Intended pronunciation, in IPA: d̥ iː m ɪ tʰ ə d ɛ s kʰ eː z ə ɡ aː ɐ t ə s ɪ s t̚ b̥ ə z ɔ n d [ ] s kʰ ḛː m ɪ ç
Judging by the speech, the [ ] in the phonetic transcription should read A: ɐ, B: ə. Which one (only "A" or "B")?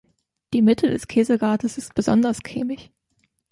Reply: A